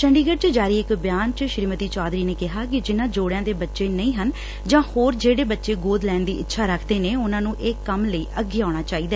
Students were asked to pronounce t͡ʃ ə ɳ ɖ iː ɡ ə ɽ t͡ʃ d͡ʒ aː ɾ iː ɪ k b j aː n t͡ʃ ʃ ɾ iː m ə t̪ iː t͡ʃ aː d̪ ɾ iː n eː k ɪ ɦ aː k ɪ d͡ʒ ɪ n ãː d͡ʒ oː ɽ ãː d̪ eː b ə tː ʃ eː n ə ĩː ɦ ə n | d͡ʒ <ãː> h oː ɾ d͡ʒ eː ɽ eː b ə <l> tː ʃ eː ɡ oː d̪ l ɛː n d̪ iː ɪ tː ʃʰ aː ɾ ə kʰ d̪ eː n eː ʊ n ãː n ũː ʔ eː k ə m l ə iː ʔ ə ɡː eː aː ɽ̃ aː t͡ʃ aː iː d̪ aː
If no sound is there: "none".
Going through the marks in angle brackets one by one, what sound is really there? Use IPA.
ãː, none

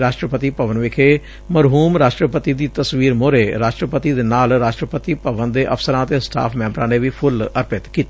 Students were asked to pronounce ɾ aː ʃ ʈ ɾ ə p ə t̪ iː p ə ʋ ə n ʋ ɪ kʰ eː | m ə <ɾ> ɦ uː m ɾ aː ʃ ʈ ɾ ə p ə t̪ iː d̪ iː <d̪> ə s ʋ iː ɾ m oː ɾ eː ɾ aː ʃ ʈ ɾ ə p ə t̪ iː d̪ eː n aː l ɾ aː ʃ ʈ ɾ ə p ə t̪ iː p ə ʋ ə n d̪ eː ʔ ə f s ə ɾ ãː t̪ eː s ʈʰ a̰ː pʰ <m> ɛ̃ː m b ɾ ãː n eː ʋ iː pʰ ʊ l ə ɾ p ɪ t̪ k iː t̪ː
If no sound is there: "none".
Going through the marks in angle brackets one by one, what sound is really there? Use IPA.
ɾ, t̪, m

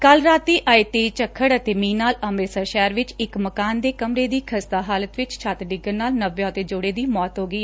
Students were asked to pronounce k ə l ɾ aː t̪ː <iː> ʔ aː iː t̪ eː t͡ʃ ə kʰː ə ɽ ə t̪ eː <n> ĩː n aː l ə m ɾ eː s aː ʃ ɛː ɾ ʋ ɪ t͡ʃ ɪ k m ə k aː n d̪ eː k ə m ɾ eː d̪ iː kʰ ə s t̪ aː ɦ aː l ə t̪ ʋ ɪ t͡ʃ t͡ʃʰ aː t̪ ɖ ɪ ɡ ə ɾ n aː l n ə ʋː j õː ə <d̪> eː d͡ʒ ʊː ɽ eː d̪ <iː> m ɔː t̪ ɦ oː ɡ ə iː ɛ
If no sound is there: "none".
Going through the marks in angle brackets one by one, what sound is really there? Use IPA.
iː, m, t̪, iː

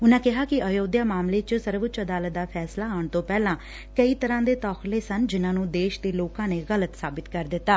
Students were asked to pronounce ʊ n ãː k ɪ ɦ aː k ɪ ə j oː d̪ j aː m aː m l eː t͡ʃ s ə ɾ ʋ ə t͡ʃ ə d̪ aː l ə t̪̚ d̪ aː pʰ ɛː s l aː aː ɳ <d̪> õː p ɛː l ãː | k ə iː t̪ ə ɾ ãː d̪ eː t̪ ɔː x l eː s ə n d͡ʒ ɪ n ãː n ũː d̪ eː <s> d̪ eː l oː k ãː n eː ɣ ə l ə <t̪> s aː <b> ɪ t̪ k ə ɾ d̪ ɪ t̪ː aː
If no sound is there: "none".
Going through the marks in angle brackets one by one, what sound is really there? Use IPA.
t̪, ʃ, t̪, b

